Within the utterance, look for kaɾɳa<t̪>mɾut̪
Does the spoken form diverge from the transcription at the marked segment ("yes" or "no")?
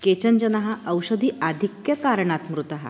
no